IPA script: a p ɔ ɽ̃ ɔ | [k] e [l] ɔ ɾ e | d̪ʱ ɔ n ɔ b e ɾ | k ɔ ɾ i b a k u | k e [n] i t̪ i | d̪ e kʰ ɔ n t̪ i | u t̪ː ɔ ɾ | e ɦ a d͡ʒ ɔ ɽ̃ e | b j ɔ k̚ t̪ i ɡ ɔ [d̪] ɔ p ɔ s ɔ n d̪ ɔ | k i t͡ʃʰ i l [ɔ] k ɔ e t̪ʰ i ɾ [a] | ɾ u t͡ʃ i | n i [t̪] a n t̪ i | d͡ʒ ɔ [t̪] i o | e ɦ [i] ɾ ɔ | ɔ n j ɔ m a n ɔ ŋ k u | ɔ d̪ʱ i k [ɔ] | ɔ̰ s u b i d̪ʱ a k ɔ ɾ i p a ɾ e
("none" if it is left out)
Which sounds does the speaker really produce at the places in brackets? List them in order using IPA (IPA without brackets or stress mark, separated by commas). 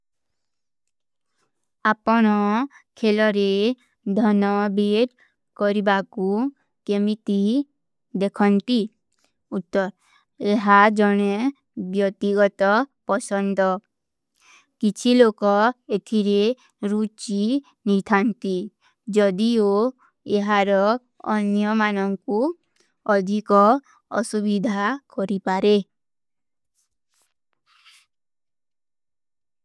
kʰ, l, m, t̪, o, e, t̪ʰ, d̪, a, ɔ